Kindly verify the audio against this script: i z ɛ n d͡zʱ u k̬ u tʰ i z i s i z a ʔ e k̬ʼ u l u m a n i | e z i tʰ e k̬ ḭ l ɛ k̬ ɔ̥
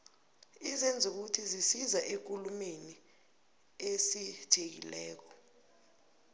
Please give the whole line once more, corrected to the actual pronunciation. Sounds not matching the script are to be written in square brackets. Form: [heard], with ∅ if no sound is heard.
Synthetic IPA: i z ɛ n d͡zʱ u k̬ u tʰ i z i s i z a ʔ e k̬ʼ u l u m [e] n i | e [s] i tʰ e k̬ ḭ l [ɛː] k̬ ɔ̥